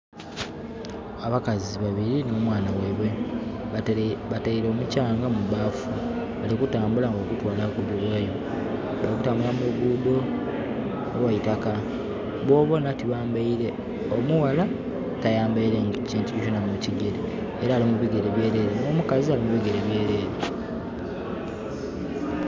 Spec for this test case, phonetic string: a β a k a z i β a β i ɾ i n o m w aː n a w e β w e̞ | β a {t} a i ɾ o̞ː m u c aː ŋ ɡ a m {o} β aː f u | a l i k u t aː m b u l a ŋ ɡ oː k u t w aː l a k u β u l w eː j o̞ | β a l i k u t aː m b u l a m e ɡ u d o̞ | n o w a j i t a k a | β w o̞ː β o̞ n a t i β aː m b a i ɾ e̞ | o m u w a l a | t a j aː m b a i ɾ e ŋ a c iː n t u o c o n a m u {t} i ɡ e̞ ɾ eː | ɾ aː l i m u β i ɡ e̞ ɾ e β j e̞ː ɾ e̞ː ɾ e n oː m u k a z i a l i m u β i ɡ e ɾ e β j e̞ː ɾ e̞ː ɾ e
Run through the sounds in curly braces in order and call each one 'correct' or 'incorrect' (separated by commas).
correct, incorrect, incorrect